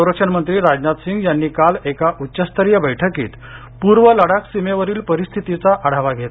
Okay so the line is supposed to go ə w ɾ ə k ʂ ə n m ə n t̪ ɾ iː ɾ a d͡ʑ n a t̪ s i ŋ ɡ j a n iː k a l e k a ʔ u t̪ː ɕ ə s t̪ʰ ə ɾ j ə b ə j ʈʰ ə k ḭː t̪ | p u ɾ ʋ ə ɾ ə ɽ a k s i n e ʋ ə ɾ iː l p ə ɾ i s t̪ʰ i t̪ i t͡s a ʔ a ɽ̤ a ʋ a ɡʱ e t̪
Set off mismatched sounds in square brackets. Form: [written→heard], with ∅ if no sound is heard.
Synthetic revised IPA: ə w ɾ ə k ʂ ə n m ə n t̪ ɾ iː ɾ a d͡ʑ n a t̪ s i ŋ ɡ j a [n→nː] iː k a l e k a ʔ u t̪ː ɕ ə s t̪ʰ ə ɾ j ə b ə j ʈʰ ə k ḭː t̪ | p u ɾ ʋ ə [ɾ→l] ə ɽ a k s i [n→m] e ʋ ə ɾ iː l p ə ɾ i s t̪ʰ i t̪ i t͡s a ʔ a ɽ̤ a ʋ a ɡʱ e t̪